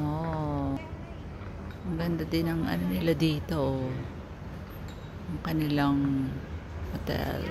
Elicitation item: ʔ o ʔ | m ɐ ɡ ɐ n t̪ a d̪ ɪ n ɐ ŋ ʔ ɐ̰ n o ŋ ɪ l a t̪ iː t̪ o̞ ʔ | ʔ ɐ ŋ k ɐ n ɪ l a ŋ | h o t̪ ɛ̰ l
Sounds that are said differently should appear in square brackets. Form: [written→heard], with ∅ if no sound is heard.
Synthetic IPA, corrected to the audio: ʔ o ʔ | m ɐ ɡ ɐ n [t̪→d̪] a d̪ ɪ n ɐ ŋ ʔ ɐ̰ n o [ŋ→n] ɪ l a [t̪→d̪] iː t̪ o̞ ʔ | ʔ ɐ ŋ k ɐ n ɪ l a ŋ | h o t̪ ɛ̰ l